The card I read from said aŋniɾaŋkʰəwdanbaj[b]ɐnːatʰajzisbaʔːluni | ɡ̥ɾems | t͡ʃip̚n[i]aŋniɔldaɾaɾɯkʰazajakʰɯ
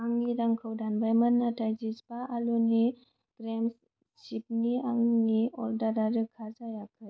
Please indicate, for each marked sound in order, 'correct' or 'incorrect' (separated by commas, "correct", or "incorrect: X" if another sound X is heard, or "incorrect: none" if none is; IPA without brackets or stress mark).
incorrect: m, correct